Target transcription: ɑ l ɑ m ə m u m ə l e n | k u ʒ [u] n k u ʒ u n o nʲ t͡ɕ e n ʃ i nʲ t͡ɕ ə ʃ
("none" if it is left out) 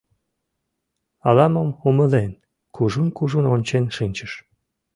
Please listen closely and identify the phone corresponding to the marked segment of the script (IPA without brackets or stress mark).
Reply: u